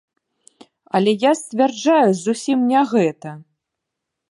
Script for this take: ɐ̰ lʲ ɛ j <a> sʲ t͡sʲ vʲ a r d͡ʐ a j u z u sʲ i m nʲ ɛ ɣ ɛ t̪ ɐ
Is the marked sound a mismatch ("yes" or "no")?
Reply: no